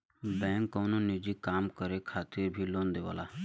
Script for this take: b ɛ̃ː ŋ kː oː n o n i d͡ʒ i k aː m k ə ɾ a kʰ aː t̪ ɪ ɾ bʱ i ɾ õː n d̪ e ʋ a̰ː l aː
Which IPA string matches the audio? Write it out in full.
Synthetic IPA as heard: b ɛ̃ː ŋ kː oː n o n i d͡ʒ i k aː m k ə ɾ e kʰ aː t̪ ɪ ɾ bʱ i l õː n d̪ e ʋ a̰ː l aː